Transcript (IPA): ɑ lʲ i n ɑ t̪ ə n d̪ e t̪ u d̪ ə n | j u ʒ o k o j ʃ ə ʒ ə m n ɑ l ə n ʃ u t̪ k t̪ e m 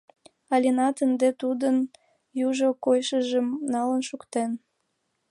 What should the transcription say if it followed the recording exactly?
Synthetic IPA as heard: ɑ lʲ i n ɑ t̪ ə n d̪ e t̪ u d̪ ə n | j u ʒ o k o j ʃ ə ʒ ə m n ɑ l ə n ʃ u k t̪ e n

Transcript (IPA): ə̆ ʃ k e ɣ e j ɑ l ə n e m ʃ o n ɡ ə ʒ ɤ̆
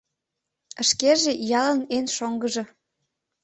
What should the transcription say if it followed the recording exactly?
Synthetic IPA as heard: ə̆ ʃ k e ʒ e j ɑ l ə n e n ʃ o ŋ ɡ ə ʒ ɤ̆

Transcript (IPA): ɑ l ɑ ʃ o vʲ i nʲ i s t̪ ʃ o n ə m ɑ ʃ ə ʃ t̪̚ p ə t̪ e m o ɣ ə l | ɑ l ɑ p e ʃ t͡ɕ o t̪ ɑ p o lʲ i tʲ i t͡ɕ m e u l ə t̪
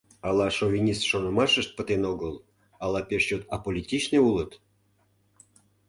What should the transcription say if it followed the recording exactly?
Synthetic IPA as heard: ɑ l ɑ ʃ o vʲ i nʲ i s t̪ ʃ o n ə m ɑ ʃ ə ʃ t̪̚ p ə t̪ e n o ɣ ə l | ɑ l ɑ p e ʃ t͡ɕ o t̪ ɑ p o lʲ i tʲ i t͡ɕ n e u l ə t̪

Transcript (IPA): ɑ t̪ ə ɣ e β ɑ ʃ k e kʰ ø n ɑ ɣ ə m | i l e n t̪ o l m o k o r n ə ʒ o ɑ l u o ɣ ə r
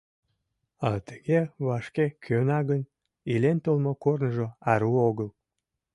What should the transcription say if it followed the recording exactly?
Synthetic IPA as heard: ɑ t̪ ə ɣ e β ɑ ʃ k e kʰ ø n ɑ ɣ ə n | i l e n t̪ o l m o k o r n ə ʒ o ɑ ɾ u o ɣ ə l

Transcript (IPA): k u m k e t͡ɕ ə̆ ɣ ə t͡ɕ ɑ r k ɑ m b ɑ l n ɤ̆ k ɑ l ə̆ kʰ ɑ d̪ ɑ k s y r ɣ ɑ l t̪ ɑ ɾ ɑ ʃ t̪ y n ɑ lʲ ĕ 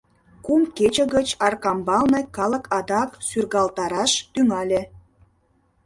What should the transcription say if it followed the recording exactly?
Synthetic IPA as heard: k u m k e t͡ɕ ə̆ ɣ ə t͡ɕ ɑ r k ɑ m b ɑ l n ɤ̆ k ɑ l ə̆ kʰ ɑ d̪ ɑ k s y r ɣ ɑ l t̪ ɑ ɾ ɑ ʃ t̪ y ŋ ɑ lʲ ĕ

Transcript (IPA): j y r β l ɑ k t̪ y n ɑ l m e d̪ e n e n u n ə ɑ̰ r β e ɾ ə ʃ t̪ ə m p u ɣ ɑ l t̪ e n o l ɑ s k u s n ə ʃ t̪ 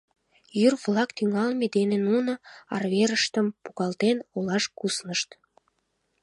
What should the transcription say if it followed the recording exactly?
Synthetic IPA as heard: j y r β l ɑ k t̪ y ŋ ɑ l m e d̪ e n e n u n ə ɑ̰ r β e ɾ ə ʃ t̪ ə m p u ɣ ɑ l t̪ e n o l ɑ ʃ k u s n ə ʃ t̪

